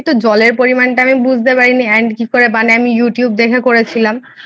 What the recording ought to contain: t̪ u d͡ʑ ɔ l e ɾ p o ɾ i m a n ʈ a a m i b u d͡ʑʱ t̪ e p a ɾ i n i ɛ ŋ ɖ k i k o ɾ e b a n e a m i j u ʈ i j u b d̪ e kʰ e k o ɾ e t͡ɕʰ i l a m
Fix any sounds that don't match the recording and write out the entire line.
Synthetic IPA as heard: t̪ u d͡ʑ ɔ l e ɾ p o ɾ i m a n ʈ a a m i b u d͡ʑʱ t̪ e p a ɾ i n i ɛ ɳ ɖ k i k o ɾ e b a n e a m i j u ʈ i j u b d̪ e kʰ e k o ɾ e t͡ɕʰ i l a m